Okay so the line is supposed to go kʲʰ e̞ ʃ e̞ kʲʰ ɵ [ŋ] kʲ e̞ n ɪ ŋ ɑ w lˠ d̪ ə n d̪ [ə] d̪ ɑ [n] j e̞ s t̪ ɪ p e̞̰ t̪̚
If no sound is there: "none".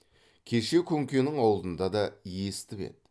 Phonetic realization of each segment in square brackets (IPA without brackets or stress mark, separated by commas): ŋ, ɑ, none